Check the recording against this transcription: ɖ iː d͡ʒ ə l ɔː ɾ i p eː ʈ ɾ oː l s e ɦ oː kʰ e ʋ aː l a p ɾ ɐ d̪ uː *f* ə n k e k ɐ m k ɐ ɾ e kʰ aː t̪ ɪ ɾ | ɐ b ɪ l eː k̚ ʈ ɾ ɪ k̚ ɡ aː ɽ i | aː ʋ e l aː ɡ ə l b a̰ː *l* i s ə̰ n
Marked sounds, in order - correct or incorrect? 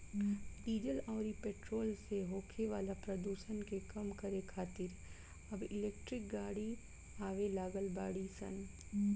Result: incorrect, incorrect

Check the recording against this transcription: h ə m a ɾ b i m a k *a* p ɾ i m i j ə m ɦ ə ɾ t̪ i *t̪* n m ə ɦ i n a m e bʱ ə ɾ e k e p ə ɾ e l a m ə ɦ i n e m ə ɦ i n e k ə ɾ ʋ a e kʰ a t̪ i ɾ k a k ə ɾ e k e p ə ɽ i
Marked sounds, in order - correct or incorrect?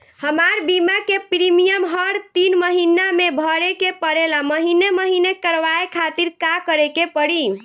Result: incorrect, incorrect

